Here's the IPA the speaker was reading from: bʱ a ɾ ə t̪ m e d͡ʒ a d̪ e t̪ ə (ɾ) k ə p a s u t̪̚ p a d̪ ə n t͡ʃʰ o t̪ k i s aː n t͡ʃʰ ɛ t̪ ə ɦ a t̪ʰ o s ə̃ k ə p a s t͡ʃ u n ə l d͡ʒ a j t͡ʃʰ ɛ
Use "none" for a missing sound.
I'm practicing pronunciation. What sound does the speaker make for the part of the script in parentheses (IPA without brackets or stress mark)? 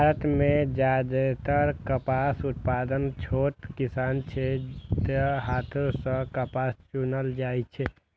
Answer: ɾ